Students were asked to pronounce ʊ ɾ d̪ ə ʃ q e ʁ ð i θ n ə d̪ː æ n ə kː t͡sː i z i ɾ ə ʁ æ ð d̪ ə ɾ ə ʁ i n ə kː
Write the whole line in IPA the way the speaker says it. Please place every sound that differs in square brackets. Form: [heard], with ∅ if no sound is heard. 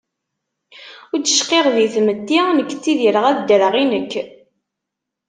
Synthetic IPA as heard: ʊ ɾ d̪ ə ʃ q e ʁ ð i θ [m] ə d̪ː [i] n ə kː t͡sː i [ð] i ɾ ə ʁ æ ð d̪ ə ɾ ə ʁ i n ə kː